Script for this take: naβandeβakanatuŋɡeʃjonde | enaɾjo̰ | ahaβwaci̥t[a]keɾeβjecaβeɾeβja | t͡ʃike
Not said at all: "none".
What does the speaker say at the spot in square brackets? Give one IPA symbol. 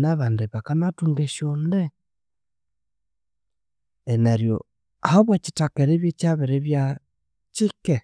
a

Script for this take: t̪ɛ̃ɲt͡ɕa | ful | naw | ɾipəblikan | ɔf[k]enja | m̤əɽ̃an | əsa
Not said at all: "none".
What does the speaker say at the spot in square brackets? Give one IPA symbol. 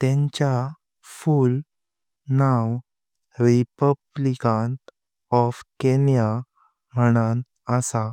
k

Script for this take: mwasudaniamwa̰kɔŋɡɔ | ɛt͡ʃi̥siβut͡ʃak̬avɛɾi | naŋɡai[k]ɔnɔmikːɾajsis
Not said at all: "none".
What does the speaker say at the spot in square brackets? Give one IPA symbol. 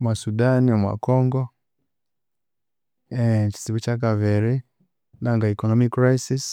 k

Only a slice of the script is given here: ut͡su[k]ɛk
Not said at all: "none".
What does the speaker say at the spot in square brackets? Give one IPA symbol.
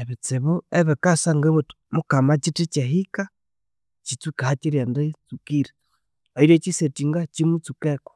k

